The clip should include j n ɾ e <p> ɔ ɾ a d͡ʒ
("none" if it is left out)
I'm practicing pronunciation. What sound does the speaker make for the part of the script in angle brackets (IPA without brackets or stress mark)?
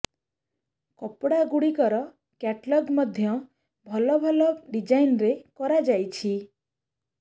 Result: k